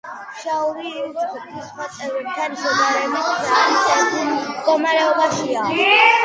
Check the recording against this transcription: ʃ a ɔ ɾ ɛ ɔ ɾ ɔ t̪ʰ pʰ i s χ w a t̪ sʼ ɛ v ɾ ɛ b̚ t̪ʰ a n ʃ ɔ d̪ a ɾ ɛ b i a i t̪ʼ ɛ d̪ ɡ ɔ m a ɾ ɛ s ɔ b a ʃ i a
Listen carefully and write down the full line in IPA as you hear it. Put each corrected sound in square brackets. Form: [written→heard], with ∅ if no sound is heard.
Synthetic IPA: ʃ a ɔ ɾ [ɛ→i] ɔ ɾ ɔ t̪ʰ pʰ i s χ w a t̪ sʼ ɛ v ɾ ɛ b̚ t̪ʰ a n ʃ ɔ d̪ a ɾ ɛ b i a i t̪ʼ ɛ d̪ ɡ ɔ m a ɾ ɛ [s→∅] ɔ b a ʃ i a